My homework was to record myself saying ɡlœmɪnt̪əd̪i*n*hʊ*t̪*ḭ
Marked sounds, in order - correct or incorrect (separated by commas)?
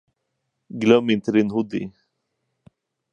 correct, incorrect